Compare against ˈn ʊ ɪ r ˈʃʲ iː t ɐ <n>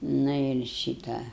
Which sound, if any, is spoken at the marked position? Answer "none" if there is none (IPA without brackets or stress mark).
none